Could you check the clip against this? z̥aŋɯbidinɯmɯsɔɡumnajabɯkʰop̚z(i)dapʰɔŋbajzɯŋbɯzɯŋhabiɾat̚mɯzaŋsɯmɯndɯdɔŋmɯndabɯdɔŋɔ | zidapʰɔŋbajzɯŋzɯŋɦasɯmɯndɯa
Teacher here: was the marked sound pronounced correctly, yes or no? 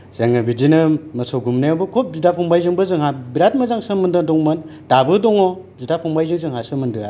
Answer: yes